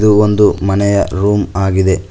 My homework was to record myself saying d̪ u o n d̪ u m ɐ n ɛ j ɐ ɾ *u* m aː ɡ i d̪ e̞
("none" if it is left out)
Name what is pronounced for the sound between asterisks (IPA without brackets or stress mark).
uː